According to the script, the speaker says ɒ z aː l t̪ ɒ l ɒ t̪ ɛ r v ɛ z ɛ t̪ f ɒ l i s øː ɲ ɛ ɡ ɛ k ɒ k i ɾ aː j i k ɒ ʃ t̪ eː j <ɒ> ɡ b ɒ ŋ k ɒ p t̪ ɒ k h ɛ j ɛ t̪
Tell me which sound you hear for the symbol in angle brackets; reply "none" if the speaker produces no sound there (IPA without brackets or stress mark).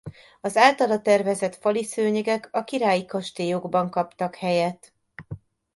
o